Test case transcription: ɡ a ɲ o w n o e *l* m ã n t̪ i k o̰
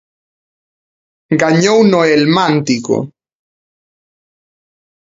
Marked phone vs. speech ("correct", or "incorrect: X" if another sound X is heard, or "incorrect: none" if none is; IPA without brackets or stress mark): correct